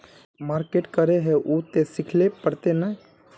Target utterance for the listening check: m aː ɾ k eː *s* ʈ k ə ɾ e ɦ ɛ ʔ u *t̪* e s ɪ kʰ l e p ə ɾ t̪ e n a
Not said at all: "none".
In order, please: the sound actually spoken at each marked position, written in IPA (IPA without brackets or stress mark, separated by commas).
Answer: none, t̪